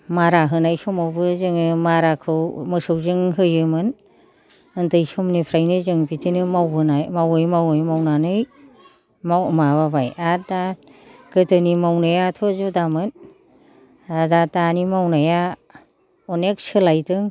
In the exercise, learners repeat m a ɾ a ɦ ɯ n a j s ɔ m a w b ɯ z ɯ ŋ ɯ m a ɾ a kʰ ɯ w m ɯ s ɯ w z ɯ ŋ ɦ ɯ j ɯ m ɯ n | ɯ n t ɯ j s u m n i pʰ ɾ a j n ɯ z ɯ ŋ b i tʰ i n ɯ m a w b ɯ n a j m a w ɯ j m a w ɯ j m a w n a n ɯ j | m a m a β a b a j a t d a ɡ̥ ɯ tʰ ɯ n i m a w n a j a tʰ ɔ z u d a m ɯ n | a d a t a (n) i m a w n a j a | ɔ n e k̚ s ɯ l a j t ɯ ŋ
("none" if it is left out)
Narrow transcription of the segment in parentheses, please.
n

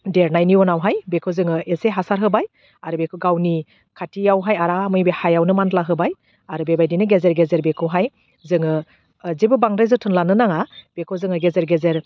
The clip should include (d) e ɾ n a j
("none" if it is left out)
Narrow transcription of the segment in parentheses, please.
d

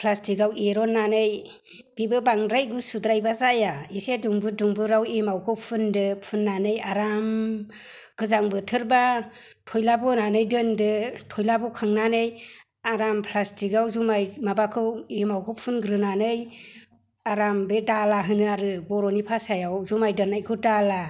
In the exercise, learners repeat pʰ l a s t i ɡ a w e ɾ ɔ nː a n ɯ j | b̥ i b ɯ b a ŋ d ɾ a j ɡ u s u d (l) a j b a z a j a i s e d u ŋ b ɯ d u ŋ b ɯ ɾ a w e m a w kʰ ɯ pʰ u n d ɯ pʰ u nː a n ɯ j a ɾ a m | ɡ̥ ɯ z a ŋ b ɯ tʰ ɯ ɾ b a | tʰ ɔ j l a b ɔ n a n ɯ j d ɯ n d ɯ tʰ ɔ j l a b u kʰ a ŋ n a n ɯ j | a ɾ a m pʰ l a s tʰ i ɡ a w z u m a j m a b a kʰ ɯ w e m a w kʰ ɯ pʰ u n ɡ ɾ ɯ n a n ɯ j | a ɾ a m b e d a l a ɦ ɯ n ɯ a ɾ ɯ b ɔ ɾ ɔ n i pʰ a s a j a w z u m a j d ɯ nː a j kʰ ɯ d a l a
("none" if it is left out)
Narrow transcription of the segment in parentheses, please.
ɾ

